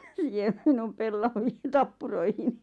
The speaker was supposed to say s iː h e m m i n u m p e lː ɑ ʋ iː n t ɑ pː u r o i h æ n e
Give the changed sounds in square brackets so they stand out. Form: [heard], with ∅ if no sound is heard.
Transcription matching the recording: s iː h e m m i n u m p e lː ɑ ʋ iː n t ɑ pː u r o i h [i] n [i]